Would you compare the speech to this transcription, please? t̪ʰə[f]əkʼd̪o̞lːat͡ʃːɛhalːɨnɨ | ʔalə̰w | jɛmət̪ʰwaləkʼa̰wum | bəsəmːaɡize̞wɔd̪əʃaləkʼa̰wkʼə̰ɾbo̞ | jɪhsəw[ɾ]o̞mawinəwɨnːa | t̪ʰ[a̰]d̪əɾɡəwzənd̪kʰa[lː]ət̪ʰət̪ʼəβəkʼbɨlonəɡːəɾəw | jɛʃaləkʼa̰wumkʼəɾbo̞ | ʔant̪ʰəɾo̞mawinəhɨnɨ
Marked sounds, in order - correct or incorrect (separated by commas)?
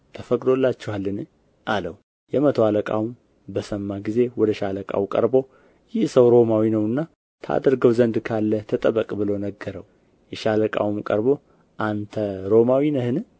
correct, correct, correct, correct